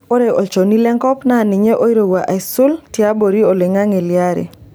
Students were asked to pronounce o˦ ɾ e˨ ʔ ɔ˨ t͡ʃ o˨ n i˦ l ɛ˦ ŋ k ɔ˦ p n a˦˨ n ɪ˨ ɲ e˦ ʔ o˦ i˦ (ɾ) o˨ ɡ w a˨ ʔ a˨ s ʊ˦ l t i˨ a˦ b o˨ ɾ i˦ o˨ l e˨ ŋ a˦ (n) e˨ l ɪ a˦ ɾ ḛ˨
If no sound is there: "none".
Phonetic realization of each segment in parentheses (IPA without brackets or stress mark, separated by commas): ɾ, ŋ